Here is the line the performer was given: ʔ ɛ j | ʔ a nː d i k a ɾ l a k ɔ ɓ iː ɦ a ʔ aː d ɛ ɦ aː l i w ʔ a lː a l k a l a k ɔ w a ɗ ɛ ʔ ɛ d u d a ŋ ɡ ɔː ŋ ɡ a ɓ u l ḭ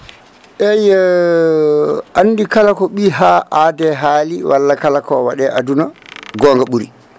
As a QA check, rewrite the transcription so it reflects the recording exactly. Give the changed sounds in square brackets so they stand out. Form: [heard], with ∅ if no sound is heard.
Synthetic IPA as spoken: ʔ ɛ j | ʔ a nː d i k a [∅] l a k ɔ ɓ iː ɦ a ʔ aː d ɛ ɦ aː l i w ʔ a lː a [∅] k a l a k ɔ w a ɗ ɛ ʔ [a] d u [n] a [∅] ɡ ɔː ŋ ɡ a ɓ u [ɾ] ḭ